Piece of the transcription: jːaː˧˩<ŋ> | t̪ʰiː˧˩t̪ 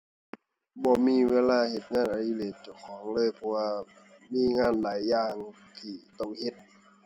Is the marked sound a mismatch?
no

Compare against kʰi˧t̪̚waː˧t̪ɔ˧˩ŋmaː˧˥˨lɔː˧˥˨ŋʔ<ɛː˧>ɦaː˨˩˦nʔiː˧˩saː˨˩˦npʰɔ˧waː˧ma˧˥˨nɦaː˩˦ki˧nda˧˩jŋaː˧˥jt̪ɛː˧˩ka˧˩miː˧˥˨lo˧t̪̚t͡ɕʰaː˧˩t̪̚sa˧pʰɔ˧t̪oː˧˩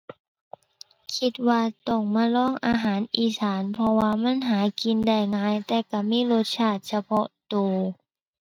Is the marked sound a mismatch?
yes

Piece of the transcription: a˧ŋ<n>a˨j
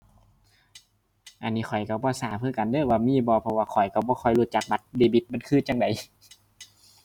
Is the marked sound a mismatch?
yes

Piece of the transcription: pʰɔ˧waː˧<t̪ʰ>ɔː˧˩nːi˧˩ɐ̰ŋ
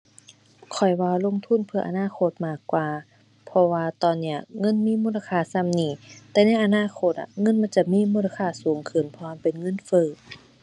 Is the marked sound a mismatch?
yes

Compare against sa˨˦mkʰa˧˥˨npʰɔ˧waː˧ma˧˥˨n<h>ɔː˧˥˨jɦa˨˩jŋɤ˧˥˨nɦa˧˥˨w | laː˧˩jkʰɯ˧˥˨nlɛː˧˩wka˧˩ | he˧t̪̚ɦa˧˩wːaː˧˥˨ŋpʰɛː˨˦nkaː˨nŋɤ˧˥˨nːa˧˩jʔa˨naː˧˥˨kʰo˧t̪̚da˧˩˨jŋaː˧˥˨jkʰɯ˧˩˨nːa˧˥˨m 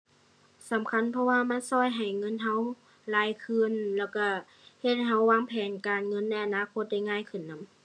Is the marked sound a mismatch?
yes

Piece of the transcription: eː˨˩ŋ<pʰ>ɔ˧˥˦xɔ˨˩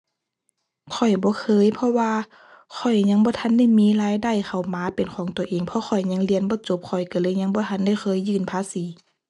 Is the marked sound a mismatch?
no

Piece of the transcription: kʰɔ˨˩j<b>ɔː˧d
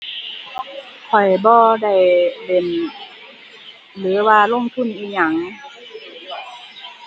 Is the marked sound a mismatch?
no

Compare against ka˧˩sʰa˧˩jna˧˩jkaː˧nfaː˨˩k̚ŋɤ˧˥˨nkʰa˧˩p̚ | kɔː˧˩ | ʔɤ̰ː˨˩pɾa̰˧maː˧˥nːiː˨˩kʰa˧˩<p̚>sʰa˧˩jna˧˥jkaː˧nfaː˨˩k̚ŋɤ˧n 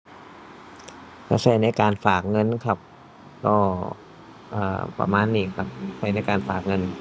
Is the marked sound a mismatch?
no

